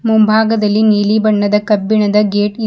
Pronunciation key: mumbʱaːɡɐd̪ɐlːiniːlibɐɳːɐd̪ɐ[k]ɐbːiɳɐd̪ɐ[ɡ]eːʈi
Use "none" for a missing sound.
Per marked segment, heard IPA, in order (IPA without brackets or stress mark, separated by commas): k, ɡ